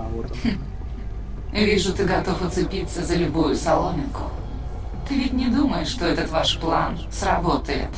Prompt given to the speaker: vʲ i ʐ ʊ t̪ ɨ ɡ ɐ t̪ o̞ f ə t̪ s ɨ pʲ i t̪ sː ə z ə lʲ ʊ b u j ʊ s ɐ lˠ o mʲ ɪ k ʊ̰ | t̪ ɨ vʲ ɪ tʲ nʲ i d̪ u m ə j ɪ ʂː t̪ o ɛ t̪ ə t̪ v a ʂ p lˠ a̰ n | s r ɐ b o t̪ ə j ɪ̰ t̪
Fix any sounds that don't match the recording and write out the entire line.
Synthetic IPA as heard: vʲ i ʐ ʊ t̪ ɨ ɡ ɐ t̪ o̞ f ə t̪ s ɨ pʲ i t̪ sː ə z ə lʲ ʊ b u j ʊ s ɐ lˠ o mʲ ɪ k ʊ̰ | t̪ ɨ vʲ ɪ tʲ nʲ ɪ d̪ u m ə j ɪ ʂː t̪ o ɛ t̪ ə t̪ v a ʂ p lˠ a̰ n | s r ɐ b o t̪ ə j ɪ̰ t̪